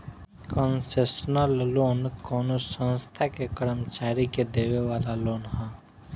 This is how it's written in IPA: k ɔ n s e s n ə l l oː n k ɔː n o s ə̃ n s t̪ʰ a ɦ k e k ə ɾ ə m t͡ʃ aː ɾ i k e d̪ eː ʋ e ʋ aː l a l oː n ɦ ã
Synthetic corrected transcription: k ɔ n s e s n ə l l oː n k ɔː n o s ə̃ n s t̪ʰ a k e k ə ɾ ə m t͡ʃ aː ɾ i k e d̪ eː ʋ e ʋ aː l a l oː n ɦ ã